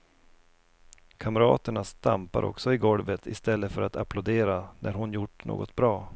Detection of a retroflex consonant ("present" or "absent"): present